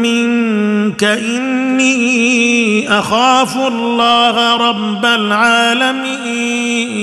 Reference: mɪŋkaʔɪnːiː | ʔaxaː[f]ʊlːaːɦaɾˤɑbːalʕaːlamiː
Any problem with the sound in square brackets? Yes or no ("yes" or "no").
no